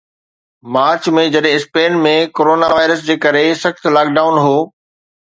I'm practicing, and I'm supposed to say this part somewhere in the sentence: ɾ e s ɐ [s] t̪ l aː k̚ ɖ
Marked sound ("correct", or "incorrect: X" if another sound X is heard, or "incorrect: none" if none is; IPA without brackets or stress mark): incorrect: x